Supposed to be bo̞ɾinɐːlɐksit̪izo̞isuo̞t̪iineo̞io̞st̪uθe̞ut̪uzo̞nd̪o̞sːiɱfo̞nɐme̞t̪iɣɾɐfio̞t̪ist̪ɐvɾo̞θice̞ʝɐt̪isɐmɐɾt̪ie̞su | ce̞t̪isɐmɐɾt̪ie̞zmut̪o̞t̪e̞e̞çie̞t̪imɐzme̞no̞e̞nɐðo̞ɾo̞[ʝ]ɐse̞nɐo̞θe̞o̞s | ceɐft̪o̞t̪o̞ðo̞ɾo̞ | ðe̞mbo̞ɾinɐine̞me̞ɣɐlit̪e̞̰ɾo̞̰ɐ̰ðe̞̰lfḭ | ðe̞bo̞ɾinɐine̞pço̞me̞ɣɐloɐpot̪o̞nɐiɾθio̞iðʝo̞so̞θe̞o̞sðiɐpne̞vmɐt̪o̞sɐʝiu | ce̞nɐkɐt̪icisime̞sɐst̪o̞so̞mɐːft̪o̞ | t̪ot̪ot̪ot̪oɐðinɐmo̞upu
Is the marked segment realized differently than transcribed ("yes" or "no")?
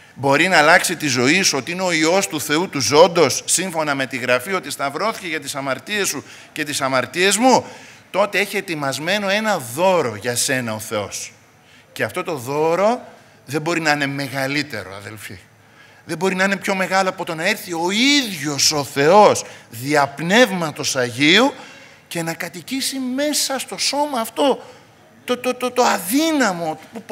no